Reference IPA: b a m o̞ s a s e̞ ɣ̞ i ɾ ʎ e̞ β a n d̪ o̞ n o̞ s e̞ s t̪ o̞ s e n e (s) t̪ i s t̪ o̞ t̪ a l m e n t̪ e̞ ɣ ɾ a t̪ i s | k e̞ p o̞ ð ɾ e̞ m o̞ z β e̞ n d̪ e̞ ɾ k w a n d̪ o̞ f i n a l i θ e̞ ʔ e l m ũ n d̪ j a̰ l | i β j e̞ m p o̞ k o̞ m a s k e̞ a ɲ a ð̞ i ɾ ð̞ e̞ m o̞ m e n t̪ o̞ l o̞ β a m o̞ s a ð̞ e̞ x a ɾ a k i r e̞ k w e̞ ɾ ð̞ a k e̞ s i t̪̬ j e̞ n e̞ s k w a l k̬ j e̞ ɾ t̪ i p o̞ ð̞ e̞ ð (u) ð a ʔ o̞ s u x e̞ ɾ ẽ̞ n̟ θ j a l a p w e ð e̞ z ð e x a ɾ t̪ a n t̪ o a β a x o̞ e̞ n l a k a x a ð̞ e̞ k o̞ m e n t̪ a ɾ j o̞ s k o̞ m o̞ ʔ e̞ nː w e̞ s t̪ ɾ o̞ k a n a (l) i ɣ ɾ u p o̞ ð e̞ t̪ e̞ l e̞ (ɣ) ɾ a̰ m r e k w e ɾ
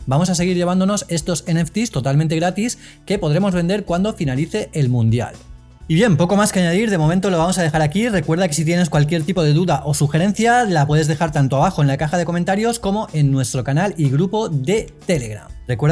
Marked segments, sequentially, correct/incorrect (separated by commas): incorrect, correct, correct, correct